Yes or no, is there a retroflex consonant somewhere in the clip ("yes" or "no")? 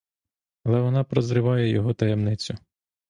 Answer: no